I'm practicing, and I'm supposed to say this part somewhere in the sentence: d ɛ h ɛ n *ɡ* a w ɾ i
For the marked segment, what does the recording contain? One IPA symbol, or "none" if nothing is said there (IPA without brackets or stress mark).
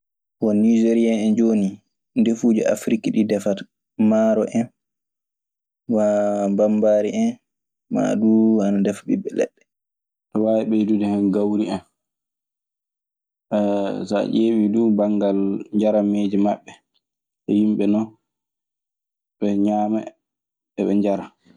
ɡ